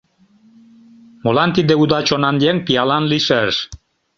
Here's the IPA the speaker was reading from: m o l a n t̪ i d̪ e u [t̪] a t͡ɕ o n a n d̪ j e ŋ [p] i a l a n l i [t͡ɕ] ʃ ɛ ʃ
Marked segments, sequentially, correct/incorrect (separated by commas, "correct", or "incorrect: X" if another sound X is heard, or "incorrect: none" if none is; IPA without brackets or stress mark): incorrect: d̪, correct, incorrect: none